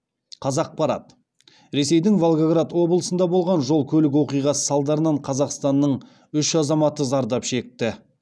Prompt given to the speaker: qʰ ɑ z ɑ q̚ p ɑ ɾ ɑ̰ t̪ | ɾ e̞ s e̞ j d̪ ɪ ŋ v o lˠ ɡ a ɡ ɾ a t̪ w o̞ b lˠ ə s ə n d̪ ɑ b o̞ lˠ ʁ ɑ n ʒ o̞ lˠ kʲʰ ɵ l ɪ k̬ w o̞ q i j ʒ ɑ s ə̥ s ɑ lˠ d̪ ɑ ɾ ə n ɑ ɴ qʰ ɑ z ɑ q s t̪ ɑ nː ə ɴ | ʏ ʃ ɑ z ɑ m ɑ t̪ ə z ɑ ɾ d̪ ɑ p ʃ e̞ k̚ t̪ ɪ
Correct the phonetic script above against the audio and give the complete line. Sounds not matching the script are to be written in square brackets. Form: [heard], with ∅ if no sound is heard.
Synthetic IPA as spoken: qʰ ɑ z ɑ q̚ p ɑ ɾ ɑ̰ t̪ | ɾ e̞ s e̞ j d̪ ɪ ŋ v o lˠ ɡ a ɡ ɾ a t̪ w o̞ b lˠ ə s ə n d̪ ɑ b o̞ lˠ ʁ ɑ n ʒ o̞ lˠ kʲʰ ɵ l ɪ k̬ w o̞ q i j [ʁ] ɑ s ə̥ s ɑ lˠ d̪ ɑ ɾ ə n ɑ ɴ qʰ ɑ z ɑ q s t̪ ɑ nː ə ɴ | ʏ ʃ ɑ z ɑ m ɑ t̪ ə z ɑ ɾ d̪ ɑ p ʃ e̞ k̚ t̪ ɪ